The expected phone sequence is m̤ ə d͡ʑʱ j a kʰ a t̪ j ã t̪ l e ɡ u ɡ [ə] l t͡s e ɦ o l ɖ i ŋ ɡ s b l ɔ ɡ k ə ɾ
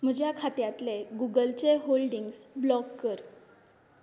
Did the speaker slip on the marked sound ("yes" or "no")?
no